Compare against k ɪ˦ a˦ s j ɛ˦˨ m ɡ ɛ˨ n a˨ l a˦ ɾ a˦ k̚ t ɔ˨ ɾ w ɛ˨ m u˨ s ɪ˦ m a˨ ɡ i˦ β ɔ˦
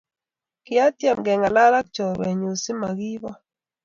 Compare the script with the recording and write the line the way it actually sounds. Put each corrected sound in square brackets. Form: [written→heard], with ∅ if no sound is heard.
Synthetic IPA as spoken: k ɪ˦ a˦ [s→t] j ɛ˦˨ m ɡ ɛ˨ [n→ŋ] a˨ l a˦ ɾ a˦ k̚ [t→t͡ʃ] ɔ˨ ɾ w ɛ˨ [m→ɲ] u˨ s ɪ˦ m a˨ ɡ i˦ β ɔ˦